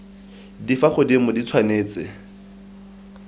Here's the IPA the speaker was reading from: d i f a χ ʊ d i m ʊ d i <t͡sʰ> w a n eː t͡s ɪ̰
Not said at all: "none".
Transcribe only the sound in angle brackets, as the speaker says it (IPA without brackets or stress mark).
t͡sʰ